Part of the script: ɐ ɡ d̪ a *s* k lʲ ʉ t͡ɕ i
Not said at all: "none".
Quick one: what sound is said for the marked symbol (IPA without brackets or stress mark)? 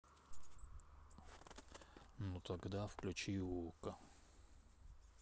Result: f